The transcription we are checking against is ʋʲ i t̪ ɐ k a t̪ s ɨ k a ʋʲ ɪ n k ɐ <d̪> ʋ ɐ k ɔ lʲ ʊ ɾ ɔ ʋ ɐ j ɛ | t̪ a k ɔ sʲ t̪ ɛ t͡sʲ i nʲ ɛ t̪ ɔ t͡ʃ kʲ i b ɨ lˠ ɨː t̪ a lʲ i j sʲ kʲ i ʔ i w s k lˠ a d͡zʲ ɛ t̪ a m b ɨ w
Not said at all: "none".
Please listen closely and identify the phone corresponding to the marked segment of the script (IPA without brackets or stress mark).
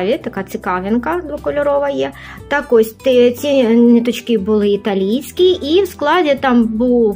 d̪